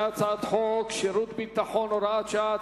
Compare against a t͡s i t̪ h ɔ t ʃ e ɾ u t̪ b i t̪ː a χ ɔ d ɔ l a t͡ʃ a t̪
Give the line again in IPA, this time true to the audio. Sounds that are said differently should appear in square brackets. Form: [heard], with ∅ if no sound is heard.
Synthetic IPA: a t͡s [a] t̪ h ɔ [k] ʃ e ɾ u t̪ b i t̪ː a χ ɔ [n] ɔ [ɾ] a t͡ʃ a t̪